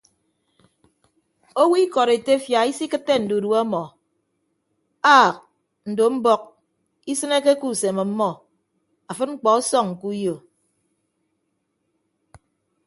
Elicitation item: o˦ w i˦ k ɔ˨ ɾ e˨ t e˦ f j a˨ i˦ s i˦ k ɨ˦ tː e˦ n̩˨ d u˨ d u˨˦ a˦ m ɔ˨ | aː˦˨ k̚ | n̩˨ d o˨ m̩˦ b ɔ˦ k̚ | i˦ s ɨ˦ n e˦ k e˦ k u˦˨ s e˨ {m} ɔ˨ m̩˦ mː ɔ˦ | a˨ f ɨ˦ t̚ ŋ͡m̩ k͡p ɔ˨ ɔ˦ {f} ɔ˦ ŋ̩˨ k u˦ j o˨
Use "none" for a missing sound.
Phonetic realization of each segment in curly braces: m, s

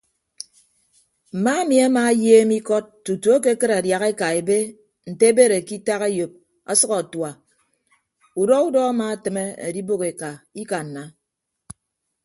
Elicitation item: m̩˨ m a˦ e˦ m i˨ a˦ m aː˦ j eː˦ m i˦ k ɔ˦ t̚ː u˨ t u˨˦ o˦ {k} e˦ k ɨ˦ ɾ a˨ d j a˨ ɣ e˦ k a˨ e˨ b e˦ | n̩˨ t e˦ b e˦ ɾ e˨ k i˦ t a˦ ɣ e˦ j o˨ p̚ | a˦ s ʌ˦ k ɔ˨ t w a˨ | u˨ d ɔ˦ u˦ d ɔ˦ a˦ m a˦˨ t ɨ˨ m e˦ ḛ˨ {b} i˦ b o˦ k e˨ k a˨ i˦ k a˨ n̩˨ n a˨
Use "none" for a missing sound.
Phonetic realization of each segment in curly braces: k, d

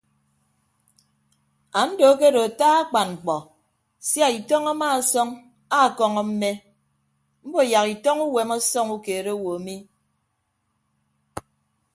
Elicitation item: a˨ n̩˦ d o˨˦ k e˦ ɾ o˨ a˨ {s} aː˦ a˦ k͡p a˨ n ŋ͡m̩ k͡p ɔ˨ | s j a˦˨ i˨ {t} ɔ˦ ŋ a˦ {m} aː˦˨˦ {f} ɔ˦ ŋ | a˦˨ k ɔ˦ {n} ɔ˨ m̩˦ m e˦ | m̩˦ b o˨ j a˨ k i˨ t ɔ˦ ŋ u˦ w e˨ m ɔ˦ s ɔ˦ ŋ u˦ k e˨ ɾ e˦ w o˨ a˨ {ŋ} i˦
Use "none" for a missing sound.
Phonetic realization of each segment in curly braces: t, t, m, s, ŋ, m

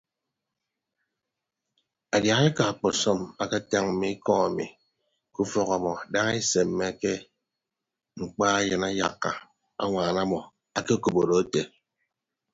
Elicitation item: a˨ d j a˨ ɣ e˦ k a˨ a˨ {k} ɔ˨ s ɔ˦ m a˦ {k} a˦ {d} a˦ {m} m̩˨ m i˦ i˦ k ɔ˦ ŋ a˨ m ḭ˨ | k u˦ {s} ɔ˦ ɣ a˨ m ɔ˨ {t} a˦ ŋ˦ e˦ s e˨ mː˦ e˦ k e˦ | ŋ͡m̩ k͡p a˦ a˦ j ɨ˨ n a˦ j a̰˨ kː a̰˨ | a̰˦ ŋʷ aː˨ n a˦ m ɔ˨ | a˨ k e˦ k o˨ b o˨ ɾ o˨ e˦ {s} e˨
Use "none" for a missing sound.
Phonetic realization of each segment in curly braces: k͡p, k, t, ŋ, f, d, t

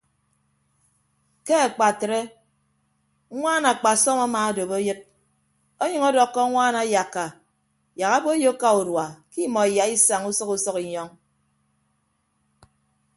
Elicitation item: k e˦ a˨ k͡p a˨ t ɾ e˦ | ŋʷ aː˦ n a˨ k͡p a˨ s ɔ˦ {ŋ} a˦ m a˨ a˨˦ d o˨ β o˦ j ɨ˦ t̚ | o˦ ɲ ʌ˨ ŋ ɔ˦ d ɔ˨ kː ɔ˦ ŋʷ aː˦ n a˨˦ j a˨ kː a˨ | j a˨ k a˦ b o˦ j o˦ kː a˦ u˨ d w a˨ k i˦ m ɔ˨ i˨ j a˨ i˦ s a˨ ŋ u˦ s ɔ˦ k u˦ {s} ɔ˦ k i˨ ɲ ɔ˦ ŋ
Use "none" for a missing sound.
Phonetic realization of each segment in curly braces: m, s

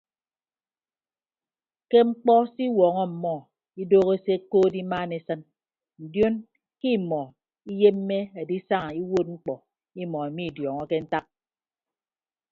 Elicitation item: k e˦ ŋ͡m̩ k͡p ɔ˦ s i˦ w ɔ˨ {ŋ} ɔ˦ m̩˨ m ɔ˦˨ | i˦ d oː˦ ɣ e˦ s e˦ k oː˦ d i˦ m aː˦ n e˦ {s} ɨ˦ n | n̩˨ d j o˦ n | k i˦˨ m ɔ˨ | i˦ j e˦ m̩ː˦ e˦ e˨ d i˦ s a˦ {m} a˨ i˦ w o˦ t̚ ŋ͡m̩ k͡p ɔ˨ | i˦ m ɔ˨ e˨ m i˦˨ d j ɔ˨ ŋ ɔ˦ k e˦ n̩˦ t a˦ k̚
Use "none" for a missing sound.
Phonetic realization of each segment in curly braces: ŋ, s, ŋ

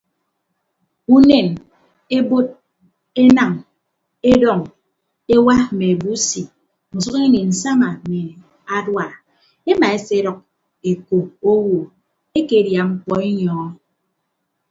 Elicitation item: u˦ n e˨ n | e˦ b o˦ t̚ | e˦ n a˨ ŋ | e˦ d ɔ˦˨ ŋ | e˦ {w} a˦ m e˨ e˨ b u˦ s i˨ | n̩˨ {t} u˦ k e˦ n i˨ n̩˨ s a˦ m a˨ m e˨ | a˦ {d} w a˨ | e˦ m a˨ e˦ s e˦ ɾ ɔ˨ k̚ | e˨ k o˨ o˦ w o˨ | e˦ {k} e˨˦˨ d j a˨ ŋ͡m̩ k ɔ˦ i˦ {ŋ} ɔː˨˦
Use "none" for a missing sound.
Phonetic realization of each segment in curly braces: w, s, d, k, ɲ

